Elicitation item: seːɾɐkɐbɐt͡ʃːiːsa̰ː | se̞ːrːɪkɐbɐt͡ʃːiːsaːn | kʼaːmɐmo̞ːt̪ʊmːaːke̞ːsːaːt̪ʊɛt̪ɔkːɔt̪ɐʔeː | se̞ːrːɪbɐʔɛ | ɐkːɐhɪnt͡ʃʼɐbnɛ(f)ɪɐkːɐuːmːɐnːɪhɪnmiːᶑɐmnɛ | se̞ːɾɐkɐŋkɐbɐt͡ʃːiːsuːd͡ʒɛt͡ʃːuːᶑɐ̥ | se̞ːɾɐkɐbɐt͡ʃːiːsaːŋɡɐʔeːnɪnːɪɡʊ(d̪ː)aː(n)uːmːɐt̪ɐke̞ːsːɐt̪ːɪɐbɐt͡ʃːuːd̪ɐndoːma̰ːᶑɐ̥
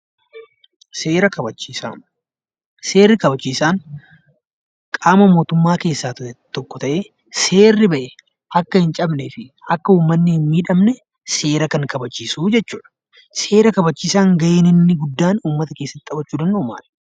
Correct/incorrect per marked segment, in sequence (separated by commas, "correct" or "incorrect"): correct, correct, correct